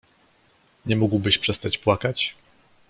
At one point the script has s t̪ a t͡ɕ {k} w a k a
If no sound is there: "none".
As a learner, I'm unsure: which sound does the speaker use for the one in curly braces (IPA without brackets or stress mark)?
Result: p